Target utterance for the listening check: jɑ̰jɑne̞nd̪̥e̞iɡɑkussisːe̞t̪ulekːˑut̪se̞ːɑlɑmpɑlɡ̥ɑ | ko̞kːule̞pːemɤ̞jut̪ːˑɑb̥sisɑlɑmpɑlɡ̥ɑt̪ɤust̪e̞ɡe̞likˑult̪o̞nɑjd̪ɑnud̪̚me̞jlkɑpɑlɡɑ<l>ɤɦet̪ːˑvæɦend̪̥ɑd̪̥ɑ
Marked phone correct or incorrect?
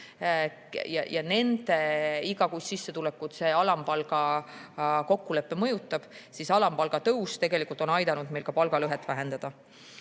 correct